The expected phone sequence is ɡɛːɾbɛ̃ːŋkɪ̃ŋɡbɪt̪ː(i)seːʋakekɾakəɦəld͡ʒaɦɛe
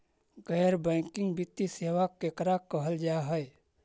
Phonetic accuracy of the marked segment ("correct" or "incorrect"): correct